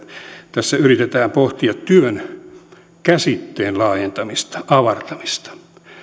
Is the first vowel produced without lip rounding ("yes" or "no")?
yes